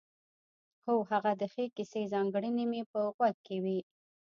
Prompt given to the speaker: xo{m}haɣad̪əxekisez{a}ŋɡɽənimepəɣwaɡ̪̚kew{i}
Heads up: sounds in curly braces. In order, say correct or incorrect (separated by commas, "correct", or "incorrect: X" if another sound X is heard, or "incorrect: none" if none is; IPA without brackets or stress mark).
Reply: incorrect: none, incorrect: ɑ, correct